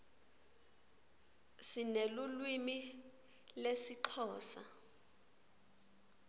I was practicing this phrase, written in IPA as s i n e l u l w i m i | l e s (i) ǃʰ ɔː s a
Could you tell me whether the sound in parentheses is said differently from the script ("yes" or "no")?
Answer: no